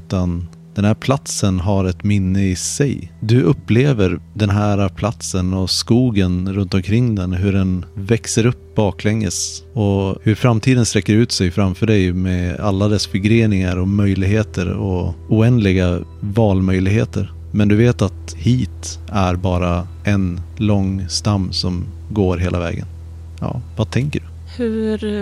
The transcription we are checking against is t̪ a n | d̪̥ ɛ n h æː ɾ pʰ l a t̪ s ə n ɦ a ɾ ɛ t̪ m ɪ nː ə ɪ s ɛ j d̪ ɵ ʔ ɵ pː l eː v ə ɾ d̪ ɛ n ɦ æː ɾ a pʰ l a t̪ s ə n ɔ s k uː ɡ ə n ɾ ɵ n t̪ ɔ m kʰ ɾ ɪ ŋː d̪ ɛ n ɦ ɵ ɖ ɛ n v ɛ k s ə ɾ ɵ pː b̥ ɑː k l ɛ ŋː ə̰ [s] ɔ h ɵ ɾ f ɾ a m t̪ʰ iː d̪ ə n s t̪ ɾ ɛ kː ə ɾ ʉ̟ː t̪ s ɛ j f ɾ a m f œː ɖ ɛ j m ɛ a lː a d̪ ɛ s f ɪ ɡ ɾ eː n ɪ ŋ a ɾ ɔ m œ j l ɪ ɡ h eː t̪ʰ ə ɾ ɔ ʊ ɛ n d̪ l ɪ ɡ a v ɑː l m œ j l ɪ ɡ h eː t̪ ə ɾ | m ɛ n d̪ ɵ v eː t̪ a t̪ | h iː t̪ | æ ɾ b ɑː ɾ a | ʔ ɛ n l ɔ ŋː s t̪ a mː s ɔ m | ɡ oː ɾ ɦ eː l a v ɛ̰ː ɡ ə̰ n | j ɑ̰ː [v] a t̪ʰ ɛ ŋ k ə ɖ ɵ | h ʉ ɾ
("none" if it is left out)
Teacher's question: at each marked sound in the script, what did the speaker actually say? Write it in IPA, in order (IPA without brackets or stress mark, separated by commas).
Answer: s, v